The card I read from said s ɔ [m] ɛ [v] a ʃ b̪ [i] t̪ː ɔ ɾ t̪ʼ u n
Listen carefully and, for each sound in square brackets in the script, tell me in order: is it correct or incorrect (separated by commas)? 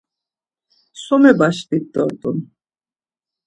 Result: correct, incorrect, correct